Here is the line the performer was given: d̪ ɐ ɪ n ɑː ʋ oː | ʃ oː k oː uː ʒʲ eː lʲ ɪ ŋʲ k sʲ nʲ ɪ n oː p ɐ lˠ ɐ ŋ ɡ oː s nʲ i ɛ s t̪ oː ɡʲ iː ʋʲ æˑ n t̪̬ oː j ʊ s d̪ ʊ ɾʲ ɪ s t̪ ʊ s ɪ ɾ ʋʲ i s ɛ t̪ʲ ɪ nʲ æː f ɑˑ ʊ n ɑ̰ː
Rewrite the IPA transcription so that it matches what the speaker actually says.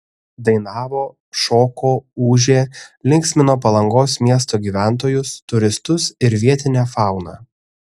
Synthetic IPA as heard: d̪ ɐ ɪ n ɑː ʋ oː | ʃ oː k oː uː ʒʲ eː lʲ ɪ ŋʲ k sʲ mʲ ɪ n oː p ɐ lˠ ɐ ŋ ɡ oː s mʲ i ɛ s t̪ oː ɡʲ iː ʋʲ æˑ n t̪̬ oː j ʊ s t̪ ʊ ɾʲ ɪ s t̪ ʊ s ɪ ɾ ʋʲ i ɛ t̪ʲ ɪ nʲ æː f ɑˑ ʊ n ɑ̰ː

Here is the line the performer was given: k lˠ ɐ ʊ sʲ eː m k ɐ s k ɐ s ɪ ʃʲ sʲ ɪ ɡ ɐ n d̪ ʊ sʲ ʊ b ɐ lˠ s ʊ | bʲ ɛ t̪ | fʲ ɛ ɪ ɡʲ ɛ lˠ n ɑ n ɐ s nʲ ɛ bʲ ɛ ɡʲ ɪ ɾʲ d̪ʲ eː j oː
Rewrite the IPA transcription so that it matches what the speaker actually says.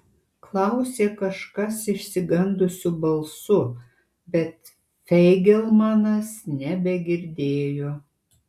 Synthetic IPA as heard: k lˠ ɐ ʊ sʲ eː k ɐ ʃ k ɐ s ɪ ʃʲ sʲ ɪ ɡ ɐ n d̪ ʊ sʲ ʊ b ɐ lˠ s ʊ | bʲ ɛ t̪ | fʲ ɛ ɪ ɡʲ ɛ lˠ m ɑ n ɐ s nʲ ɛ bʲ ɛ ɡʲ ɪ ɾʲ d̪ʲ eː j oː

